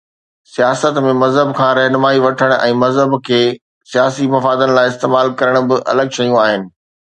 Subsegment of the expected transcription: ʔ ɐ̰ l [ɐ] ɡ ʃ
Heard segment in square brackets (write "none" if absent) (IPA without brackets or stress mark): ə